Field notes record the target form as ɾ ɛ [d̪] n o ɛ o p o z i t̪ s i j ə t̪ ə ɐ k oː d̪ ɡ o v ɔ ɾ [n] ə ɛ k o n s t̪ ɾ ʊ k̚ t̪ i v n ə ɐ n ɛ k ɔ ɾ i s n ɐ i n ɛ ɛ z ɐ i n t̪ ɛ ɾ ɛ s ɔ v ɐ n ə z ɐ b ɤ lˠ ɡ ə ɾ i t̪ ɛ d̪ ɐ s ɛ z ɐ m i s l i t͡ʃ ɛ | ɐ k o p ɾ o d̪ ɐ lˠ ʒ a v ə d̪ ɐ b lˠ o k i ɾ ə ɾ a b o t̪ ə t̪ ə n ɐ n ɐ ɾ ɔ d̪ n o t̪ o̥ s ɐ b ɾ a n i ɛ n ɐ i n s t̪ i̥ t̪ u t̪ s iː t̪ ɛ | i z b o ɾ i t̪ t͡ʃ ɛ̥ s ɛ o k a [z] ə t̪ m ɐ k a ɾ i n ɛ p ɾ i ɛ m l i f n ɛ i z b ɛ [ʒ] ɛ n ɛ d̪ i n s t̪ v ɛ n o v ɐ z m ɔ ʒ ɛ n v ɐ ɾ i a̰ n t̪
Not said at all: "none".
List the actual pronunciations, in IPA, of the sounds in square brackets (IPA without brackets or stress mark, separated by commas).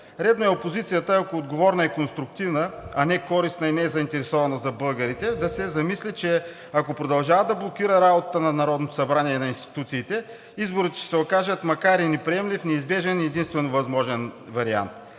d̪, n, ʒ, ʒ